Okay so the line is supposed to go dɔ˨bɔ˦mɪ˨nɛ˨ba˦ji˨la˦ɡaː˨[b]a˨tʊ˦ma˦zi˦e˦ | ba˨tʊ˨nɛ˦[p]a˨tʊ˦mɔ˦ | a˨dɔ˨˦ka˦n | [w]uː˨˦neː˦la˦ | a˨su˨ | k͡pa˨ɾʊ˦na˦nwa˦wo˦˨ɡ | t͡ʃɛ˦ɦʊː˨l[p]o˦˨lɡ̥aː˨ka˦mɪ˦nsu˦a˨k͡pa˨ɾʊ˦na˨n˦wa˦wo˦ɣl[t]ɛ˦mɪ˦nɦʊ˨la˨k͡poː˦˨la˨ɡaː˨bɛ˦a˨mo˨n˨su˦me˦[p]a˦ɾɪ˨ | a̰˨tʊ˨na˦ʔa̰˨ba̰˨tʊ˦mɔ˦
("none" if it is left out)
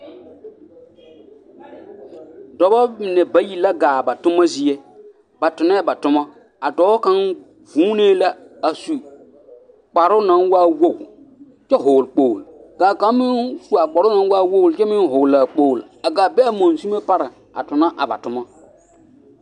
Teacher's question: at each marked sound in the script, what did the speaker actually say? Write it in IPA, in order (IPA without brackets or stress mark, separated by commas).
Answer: b, b, v, k͡p, t͡ʃ, p